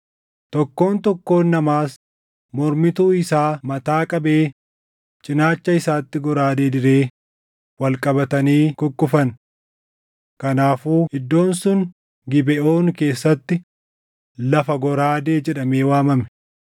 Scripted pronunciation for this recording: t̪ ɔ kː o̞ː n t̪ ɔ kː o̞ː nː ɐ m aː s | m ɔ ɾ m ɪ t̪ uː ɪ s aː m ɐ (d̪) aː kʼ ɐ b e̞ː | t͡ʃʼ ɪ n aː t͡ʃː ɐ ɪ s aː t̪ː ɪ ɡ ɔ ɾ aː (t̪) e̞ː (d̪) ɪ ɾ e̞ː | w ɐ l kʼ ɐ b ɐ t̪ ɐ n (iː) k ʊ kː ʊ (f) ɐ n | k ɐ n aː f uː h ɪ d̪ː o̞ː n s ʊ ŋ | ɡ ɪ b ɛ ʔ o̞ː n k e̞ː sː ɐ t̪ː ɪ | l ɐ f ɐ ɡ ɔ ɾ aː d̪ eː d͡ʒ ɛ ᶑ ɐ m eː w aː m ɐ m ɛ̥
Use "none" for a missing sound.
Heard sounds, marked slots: t̪, d̪, d̪, iː, f

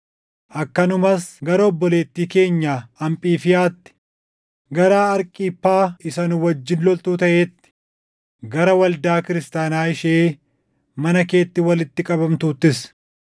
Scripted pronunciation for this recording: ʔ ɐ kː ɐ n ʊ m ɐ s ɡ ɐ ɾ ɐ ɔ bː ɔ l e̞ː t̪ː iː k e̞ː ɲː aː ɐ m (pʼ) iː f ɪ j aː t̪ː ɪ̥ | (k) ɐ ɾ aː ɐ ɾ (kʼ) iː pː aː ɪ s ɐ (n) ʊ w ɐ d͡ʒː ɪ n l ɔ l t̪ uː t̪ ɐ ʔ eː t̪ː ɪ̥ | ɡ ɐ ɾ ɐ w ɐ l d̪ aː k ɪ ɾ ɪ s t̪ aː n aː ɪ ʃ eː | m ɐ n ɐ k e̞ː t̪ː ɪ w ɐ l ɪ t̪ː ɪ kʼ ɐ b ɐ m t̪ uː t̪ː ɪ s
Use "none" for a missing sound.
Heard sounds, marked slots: pʼ, ɡ, kʼ, n

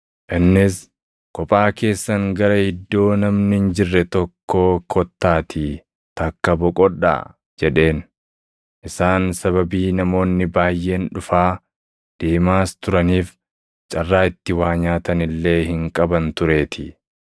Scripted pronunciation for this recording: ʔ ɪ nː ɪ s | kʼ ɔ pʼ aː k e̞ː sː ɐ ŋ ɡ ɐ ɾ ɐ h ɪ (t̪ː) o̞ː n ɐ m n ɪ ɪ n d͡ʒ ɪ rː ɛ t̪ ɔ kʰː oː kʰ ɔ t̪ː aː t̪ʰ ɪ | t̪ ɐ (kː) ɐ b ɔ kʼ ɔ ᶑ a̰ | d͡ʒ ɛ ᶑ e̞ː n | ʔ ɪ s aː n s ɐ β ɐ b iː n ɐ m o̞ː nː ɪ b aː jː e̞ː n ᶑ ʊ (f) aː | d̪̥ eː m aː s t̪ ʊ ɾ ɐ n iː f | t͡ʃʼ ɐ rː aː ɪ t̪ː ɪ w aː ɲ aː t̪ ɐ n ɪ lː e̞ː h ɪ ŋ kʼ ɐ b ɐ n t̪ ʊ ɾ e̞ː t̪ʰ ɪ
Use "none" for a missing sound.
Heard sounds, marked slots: d̪ː, kː, f

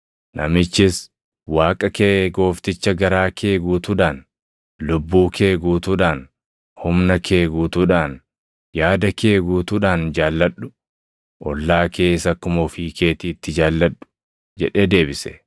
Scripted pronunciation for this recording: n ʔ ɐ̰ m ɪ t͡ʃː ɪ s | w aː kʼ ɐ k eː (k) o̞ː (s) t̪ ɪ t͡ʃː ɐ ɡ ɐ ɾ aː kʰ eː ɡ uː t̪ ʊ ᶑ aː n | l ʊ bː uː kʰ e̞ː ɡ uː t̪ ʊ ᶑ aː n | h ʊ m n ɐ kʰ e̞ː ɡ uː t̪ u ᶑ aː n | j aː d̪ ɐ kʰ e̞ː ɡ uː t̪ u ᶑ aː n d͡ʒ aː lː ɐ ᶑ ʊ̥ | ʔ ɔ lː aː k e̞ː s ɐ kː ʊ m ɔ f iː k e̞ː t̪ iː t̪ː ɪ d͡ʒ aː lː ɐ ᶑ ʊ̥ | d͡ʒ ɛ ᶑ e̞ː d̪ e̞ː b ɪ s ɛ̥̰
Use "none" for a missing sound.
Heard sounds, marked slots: ɡ, f

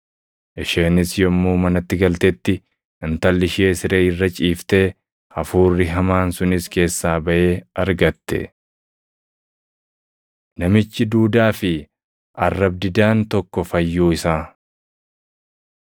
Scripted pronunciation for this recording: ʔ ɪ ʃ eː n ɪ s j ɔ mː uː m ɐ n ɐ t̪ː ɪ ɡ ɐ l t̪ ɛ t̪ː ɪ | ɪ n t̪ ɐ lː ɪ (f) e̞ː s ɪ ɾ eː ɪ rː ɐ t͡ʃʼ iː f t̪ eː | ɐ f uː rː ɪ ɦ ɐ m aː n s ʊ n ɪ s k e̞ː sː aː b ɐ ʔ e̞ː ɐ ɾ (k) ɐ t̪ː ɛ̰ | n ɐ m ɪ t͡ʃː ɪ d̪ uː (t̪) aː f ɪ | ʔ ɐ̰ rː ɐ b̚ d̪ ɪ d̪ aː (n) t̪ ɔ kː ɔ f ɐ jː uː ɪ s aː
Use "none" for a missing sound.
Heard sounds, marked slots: ʃ, ɡ, d̪, n

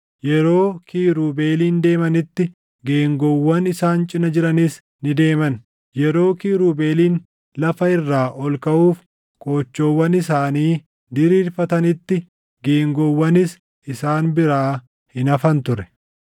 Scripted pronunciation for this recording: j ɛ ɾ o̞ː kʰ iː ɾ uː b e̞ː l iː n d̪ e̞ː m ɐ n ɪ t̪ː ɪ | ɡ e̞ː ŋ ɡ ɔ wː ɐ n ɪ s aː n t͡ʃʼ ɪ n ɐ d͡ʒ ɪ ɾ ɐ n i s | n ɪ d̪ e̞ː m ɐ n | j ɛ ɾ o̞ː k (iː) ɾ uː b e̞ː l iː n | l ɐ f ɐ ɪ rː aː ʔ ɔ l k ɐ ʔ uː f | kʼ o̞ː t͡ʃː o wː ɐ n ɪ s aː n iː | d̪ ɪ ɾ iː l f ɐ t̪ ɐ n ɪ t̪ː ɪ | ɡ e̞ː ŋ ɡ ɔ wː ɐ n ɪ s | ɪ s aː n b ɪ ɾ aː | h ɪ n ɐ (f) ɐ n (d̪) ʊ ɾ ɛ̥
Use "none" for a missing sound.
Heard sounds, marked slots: iː, f, t̪

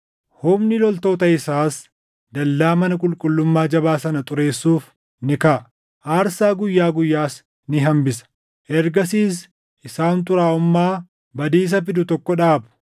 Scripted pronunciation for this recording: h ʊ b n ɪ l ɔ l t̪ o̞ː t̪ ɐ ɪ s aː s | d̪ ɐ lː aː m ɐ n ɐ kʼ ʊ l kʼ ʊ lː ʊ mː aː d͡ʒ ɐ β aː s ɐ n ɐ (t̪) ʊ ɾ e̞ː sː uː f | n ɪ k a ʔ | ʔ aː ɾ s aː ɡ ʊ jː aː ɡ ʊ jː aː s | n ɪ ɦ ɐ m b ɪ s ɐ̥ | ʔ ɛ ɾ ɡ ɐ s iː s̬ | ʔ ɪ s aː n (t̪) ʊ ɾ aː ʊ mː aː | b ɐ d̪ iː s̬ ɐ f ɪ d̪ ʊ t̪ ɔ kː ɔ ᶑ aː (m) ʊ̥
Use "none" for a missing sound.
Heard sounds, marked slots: t̪ʼ, t̪, b

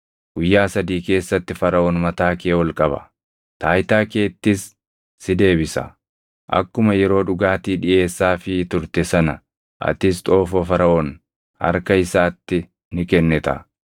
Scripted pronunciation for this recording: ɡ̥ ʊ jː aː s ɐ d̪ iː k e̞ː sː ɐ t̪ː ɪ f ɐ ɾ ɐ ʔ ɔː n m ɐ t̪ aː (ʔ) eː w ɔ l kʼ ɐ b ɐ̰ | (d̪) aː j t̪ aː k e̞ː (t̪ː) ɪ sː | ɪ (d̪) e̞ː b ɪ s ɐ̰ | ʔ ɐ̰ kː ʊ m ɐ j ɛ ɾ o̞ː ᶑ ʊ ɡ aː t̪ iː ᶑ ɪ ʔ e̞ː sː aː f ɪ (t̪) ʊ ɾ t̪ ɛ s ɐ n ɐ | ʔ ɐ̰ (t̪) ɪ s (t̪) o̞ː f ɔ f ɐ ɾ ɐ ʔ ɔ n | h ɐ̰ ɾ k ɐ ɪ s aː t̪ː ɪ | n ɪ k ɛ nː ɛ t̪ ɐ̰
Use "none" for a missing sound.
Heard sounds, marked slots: k, t̪, t̪ː, d̪, t̪, t̪, t̪ʼ

